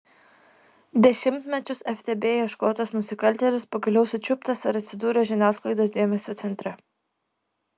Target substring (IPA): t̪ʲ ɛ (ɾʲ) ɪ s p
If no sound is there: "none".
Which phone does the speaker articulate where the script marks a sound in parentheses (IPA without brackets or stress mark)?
lʲ